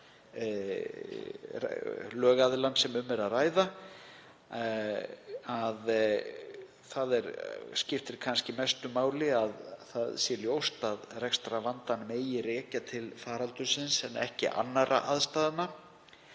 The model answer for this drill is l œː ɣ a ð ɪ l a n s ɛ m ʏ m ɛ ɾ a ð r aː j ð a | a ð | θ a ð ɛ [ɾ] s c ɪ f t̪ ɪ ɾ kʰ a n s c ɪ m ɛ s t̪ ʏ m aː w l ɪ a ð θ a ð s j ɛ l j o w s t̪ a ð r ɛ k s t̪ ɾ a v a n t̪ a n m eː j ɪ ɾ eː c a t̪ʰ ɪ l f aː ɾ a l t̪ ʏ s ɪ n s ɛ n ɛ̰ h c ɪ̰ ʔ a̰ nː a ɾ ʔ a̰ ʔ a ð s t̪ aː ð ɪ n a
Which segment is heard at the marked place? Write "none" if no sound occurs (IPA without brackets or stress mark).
ɾ